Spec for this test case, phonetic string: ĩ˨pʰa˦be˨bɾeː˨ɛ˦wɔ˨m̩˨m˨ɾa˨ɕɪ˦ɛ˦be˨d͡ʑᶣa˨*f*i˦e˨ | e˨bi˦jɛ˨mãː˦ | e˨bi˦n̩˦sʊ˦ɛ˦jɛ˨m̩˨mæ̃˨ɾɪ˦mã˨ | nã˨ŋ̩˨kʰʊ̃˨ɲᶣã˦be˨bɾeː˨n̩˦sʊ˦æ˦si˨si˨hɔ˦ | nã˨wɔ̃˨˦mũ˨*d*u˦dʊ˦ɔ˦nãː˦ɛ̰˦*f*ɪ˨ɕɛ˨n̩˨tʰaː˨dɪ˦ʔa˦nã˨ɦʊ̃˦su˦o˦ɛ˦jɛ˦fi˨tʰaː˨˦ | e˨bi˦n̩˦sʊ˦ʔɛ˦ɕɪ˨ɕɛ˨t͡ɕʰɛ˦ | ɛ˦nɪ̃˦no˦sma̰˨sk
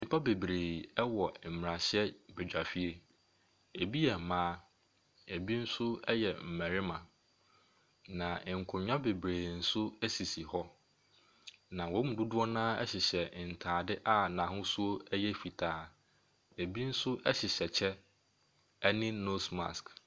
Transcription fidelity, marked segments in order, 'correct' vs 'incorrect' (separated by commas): correct, correct, incorrect